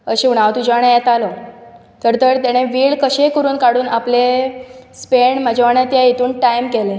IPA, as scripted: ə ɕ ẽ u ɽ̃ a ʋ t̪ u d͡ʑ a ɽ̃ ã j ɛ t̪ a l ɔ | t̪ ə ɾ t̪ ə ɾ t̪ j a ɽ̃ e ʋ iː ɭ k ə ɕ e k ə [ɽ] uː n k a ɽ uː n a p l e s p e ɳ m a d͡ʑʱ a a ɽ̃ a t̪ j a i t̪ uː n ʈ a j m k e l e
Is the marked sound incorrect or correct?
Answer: incorrect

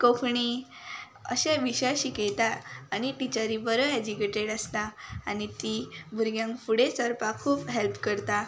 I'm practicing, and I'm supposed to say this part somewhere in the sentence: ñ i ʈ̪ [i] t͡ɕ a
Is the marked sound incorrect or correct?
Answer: correct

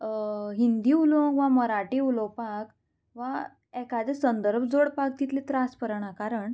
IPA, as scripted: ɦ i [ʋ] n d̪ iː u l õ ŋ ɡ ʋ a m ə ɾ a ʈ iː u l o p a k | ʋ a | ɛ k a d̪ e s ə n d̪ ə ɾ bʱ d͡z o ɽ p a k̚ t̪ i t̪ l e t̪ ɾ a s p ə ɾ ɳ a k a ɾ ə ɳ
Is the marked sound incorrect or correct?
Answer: incorrect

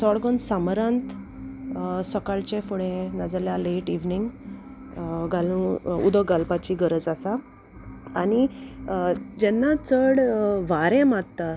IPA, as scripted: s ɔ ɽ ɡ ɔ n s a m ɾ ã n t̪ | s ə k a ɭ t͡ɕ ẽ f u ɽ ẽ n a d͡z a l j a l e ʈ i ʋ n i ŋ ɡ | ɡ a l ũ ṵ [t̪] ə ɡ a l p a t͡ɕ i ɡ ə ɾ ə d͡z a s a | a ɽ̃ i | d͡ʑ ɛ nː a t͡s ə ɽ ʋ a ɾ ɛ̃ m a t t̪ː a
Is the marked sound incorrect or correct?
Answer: incorrect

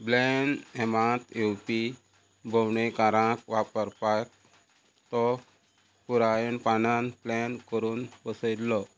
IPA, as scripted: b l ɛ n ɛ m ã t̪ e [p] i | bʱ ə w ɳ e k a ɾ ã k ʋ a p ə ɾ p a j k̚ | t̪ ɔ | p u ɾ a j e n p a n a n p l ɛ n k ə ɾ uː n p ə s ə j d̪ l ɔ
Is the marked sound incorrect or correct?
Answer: correct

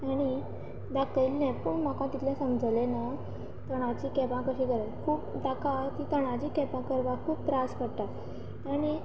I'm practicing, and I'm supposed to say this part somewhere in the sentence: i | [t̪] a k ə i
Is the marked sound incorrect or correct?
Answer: incorrect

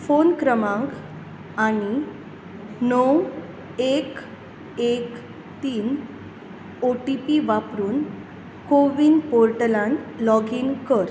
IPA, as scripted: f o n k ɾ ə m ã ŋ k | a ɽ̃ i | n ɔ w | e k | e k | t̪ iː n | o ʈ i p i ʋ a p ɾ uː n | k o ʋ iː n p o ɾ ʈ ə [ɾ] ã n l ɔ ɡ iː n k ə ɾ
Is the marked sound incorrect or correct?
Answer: incorrect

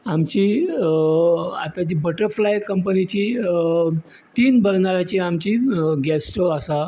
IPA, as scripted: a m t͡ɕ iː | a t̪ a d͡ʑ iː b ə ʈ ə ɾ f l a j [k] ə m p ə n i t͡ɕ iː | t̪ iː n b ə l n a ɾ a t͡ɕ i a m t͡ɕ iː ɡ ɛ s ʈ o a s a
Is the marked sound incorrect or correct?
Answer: correct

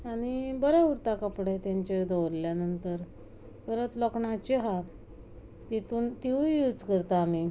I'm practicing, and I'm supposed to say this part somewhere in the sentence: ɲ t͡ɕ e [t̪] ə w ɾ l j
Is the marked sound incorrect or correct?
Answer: incorrect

